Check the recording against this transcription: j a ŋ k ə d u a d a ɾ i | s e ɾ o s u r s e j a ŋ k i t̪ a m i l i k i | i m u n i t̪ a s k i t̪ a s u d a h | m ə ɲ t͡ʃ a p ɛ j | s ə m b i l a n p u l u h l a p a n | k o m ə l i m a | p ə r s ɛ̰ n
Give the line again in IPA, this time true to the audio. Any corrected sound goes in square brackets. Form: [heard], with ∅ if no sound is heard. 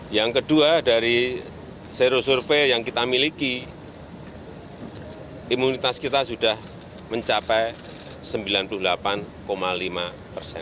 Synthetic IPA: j a ŋ k ə d u a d a ɾ i | s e ɾ o s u r [f] e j a ŋ k i t̪ a m i l i k i | i m u n i t̪ a s k i t̪ a s u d a h | m ə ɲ t͡ʃ a p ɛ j | s ə m b i l a n p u l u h l a p a n | k o m [a] l i m a | p ə r s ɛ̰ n